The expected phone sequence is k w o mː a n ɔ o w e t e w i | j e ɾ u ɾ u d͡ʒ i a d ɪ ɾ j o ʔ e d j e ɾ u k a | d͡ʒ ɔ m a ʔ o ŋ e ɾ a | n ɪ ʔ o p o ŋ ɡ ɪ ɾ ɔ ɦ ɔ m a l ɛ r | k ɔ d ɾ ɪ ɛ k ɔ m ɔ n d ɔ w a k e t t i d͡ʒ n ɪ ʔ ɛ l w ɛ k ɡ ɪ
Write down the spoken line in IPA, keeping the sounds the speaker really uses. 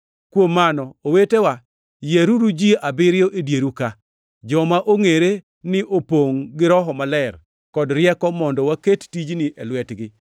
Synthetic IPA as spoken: k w o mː a n ɔ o w e t e w a | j e ɾ u ɾ u d͡ʒ i a b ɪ ɾ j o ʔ e d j e ɾ u k a | d͡ʒ ɔ m a ʔ o ŋ e ɾ e | n ɪ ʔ o p o ŋ ɡ ɪ ɾ ɔ ɦ ɔ m a l ɛ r | k ɔ d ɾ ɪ ɛ k ɔ m ɔ n d ɔ w a k e t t i d͡ʒ n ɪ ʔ ɛ l w ɛ t ɡ ɪ

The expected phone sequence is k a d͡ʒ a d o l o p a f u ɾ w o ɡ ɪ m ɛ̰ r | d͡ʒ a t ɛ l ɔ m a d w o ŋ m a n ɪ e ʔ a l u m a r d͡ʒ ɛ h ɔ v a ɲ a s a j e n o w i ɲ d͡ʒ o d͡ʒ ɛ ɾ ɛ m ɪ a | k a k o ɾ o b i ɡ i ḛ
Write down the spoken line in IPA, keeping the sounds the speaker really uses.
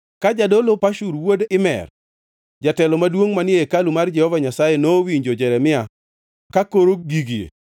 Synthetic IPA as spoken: k a d͡ʒ a d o l o p a ʃ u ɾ w o d ɪ m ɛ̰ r | d͡ʒ a t ɛ l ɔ m a d w o ŋ m a n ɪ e k a l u m a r d͡ʒ ɛ h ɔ v a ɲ a s a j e n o w i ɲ d͡ʒ o d͡ʒ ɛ ɾ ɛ m ɪ a | k a k o ɾ o ɡ i ɡ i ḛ

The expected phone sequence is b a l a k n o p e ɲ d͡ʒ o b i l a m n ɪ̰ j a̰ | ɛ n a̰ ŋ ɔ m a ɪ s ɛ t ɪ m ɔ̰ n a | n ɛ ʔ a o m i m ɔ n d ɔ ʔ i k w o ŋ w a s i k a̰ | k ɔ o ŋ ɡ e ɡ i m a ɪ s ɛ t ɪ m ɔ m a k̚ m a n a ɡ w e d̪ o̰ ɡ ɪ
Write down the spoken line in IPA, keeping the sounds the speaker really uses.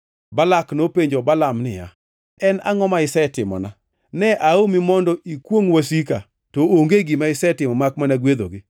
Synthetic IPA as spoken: b a l a k n o p e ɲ d͡ʒ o b a l a m n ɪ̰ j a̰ | ɛ n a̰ ŋ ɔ m a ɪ s ɛ t ɪ m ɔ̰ n a | n ɛ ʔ a o m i m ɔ n d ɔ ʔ i k w o ŋ w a s i k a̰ | t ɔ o ŋ ɡ e ɡ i m a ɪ s ɛ t ɪ m ɔ m a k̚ m a n a ɡ w e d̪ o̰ ɡ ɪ

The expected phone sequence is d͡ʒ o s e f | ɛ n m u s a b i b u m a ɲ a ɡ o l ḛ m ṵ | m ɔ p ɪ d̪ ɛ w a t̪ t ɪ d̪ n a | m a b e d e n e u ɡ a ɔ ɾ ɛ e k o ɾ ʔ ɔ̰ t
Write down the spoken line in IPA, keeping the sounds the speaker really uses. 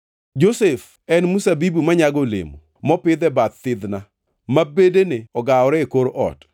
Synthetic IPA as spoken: d͡ʒ o s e f | ɛ n m u s a b i b u m a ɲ a ɡ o l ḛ m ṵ | m ɔ p ɪ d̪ ɛ b a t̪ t ɪ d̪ n a | m a b e d e n e ɔ ɡ a ɔ ɾ ɛ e k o ɾ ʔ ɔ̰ t

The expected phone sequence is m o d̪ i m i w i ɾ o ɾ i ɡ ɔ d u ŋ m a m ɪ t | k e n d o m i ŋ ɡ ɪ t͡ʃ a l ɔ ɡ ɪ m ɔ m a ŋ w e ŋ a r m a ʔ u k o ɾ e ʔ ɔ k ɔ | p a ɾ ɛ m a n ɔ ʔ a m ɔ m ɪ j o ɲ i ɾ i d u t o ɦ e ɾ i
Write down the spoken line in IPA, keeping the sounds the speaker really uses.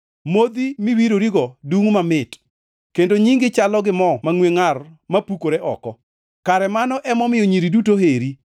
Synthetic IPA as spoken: m o d̪ i m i w i ɾ o ɾ i ɡ ɔ d u ŋ m a m ɪ t | k e n d o ɲ i ŋ ɡ ɪ t͡ʃ a l ɔ ɡ ɪ m ɔ m a ŋ w e ŋ a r m a p u k o ɾ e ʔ ɔ k ɔ | k a ɾ ɛ m a n ɔ ʔ ɛ m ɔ m ɪ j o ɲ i ɾ i d u t o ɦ e ɾ i

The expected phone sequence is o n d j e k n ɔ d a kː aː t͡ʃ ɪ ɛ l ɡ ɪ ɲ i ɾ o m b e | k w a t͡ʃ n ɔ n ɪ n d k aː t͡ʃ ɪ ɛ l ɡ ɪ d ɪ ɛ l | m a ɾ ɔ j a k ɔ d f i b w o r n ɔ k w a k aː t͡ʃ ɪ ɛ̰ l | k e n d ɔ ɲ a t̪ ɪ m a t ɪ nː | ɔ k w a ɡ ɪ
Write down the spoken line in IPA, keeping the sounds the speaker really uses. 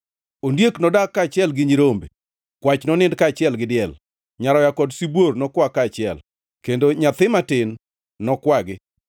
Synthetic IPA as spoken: o n d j e k n ɔ d a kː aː t͡ʃ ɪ ɛ l ɡ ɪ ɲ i ɾ o m b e | k w a t͡ʃ n ɔ n ɪ n d k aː t͡ʃ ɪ ɛ l ɡ ɪ d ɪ ɛ l | ɲ a ɾ ɔ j a k ɔ d s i b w o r n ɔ k w a k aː t͡ʃ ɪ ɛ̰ l | k e n d o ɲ a t̪ ɪ m a t ɪ nː | ɔ k w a ɡ ɪ

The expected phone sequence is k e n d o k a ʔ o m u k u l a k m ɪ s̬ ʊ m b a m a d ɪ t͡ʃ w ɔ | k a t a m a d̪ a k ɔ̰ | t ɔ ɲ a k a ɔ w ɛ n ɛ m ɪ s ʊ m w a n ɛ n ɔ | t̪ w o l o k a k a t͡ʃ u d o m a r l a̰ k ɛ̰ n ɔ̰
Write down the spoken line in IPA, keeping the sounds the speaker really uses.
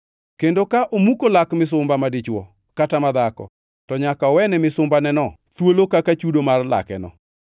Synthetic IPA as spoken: k e n d o k a ʔ o m u k o l a k m ɪ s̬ ʊ m b a m a d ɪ t͡ʃ w ɔ | k a t a m a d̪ a k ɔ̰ | t ɔ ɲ a k a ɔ w ɛ n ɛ m ɪ s ʊ m b a n ɛ n ɔ | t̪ w o l o k a k a t͡ʃ u d o m a r l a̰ k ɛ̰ n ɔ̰

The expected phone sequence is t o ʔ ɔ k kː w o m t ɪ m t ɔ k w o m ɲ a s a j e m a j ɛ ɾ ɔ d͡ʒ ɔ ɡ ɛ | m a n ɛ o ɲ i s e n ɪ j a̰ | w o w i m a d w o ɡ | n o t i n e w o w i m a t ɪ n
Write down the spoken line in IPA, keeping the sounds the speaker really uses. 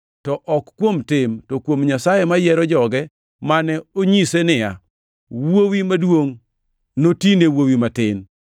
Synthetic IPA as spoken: t ɔ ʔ ɔ k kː w o m t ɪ m t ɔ k w o m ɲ a s a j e m a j ɛ ɾ ɔ d͡ʒ ɔ ɡ ɛ | m a n ɛ o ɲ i s e n ɪ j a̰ | w o w i m a d w o ŋ | n o t i n e w o w i m a t ɪ n

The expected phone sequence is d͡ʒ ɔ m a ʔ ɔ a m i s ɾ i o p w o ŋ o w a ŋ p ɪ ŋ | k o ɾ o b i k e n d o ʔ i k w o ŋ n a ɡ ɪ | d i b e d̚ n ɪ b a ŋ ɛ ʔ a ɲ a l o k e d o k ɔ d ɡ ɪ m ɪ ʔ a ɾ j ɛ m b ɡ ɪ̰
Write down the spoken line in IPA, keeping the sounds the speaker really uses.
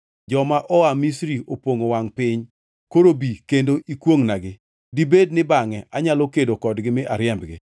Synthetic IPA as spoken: d͡ʒ ɔ m a ʔ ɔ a m i s ɾ i o p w o ŋ o w a ŋ p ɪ ɲ | k o ɾ o b i k e n d o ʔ i k w o ŋ n a ɡ ɪ | d i b e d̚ n ɪ b a ŋ ɛ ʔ a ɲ a l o k e d o k ɔ d ɡ ɪ m ɪ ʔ a ɾ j ɛ m b ɡ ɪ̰

